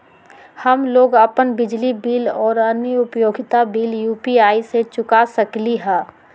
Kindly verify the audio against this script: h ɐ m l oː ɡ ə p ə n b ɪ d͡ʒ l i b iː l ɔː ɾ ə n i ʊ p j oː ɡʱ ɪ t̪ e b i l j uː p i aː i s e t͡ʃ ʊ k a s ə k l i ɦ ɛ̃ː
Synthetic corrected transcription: h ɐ m l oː ɡ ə p ə n b ɪ d͡ʒ l i b iː l ɔː ɾ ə n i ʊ p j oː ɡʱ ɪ t̪ a b iː l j uː p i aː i s e t͡ʃ ʊ k a s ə k l i ɦ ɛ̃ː

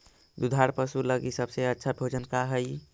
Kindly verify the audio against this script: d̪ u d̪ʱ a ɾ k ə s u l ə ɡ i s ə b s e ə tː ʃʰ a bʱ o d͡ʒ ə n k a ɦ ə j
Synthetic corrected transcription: d̪ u d̪ʱ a ɾ p ə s u l ə ɡ i s ə b s e ə tː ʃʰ a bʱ o d͡ʒ ə n k a ɦ ə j

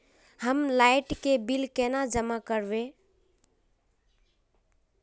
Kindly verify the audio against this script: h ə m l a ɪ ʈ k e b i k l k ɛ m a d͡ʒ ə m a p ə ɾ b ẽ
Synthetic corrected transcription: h ə m l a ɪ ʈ k e b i l k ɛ n a d͡ʒ ə m a k ə ɾ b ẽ

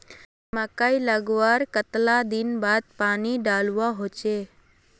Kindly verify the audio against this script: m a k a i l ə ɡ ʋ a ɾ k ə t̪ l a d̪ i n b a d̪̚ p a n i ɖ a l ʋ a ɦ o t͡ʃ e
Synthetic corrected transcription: m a k a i l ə ɡ ʋ a ɾ k ə t̪ l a d̪ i n b a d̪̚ p a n i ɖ a l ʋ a ɦ o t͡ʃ e

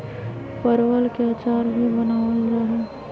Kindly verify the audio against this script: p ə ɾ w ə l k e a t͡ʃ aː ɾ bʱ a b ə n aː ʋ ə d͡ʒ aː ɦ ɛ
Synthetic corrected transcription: p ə ɾ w ə l k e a t͡ʃ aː ɾ bʱ i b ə n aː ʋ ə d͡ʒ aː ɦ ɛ

